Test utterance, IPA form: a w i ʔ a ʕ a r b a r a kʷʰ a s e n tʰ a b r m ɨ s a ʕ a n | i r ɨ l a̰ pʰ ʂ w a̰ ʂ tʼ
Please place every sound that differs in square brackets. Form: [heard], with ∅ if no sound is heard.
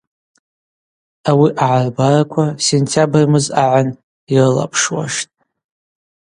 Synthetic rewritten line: a w i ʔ a ʕ a r b a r a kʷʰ a s e n tʰ a b r m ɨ [z] a ʕ a n | i r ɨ l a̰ pʰ ʂ w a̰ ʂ tʼ